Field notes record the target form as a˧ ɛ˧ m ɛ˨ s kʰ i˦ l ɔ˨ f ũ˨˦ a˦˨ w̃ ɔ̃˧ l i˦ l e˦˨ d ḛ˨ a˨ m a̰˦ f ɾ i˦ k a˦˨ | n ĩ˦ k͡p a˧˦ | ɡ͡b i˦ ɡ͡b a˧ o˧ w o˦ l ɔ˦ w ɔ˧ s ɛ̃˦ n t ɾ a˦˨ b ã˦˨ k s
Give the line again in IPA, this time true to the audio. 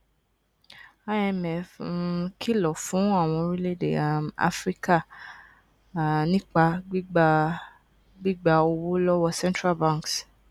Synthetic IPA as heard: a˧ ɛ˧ m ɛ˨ f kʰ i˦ l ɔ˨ f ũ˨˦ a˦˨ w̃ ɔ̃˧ ɾ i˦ l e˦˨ d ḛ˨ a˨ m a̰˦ f ɾ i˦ k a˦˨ | n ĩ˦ k͡p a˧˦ | ɡ͡b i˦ ɡ͡b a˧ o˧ w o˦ l ɔ˦ w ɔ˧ s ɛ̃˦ n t ɾ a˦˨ b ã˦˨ k s

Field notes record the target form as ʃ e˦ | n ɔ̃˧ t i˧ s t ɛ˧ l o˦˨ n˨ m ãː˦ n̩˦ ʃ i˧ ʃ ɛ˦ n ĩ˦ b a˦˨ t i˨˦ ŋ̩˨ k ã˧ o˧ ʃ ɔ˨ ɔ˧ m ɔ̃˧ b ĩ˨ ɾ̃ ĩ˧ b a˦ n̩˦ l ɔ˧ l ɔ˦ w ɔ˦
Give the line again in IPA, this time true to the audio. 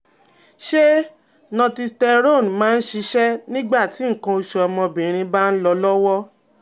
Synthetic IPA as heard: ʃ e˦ | n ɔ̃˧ t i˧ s t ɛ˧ ɾ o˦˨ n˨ m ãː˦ n̩˦ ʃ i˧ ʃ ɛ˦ n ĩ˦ ɡ͡b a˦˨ t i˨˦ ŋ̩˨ k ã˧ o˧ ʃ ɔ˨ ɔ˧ m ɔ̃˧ b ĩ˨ ɾ̃ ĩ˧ b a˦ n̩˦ l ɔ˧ l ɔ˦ w ɔ˦

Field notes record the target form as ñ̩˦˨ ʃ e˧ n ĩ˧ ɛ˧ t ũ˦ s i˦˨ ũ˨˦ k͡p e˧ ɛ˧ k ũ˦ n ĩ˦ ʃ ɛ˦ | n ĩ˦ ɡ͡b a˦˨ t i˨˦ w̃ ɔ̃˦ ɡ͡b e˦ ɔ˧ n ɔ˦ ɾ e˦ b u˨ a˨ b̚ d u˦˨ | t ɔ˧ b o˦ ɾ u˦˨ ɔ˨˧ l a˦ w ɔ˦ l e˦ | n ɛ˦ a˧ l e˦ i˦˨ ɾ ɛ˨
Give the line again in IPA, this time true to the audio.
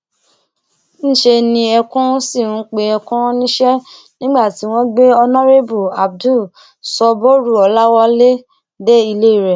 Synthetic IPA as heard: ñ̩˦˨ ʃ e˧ n ĩ˧ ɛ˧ k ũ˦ s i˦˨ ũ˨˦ k͡p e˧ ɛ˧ k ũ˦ n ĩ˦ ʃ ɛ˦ | n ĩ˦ ɡ͡b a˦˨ t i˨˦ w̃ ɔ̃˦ ɡ͡b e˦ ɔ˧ n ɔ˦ ɾ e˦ b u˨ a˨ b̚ d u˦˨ | s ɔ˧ b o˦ ɾ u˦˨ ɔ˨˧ l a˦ w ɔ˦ l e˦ | d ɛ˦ i˧ l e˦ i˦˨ ɾ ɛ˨

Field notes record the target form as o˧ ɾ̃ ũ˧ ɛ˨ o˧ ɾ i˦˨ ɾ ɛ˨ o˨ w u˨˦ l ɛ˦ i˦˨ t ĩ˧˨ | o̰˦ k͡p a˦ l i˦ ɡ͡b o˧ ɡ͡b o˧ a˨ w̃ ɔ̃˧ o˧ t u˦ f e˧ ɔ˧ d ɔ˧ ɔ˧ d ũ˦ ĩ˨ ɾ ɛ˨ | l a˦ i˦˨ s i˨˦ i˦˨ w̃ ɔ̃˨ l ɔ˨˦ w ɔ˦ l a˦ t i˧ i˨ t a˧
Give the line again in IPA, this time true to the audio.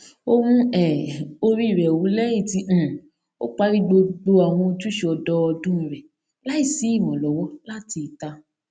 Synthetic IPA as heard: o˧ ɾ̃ ũ˧ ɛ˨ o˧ ɾ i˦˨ ɾ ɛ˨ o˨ w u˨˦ l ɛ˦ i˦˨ t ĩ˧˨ | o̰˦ k͡p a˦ ɾ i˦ ɡ͡b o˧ ɡ͡b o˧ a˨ w̃ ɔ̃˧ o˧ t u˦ ʃ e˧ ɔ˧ d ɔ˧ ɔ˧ d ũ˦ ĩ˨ ɾ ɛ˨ | l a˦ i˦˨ s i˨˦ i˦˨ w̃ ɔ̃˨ l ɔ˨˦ w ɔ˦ l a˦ t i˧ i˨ t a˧

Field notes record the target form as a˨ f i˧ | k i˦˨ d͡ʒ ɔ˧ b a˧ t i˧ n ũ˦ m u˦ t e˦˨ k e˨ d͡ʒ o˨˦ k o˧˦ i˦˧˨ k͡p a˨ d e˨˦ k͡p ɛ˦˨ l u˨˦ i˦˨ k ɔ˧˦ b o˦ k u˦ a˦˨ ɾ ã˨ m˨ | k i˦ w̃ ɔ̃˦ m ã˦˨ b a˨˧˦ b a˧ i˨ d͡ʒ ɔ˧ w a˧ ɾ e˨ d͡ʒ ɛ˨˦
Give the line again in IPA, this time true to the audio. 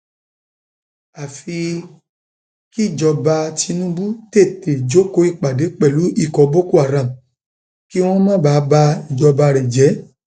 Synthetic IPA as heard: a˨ f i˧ | k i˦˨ d͡ʒ ɔ˧ b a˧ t i˧ n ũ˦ b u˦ t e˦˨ t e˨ d͡ʒ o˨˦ k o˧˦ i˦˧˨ k͡p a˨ d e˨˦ k͡p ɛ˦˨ l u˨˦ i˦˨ k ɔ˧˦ b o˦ k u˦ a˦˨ ɾ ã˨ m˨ | k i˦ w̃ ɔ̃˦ m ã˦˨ b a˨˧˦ b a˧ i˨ d͡ʒ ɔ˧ b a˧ ɾ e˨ d͡ʒ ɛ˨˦

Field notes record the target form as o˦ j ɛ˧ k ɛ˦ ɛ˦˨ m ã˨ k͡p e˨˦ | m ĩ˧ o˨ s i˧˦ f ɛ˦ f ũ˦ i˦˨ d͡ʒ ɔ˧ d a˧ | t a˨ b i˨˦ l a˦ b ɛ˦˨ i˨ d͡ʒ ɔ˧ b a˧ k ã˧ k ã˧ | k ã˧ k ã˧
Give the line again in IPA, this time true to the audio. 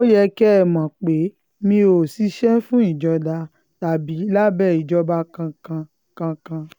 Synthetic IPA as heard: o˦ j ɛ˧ k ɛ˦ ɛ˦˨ m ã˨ k͡p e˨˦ | m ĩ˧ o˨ s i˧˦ ʃ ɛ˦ f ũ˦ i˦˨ d͡ʒ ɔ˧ d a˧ | t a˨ b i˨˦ l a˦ b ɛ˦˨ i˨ d͡ʒ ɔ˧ b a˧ k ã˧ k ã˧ | k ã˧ k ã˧

